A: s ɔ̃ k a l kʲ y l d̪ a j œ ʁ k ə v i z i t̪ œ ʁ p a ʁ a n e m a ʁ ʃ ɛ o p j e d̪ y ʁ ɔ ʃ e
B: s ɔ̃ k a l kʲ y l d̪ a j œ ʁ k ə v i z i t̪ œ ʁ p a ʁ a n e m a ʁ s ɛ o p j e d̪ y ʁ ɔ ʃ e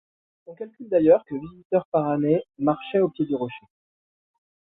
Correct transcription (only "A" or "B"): A